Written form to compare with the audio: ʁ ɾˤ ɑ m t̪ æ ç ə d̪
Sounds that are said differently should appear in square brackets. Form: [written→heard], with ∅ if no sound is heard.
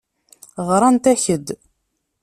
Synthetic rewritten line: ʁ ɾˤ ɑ [m→n] t̪ æ ç ə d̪